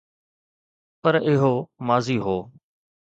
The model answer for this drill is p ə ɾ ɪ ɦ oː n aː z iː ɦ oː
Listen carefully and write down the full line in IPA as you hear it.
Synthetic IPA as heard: p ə ɾ ɪ ɦ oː m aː z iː ɦ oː